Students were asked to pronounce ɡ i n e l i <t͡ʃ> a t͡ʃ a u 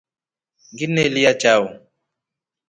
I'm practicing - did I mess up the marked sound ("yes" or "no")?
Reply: yes